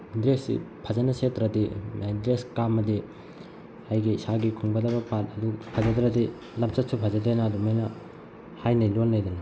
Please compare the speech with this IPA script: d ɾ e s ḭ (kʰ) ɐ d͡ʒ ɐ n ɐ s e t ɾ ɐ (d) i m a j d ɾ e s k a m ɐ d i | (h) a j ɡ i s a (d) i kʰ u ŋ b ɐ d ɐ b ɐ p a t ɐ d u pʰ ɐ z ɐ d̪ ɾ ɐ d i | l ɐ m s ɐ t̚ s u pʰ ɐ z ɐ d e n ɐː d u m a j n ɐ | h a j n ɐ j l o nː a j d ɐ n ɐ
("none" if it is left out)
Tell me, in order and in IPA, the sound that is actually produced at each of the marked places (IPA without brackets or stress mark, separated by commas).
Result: pʰ, d, h, ɡ